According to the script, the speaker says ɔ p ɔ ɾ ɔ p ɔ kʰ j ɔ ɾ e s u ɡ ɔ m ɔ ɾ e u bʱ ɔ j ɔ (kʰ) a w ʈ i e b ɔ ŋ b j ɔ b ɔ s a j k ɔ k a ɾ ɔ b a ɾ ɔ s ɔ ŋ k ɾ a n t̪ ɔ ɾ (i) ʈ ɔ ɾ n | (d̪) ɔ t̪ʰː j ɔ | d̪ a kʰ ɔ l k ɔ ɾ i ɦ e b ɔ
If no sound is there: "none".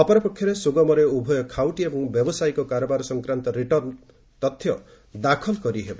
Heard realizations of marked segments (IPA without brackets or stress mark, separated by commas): kʰ, i, t̪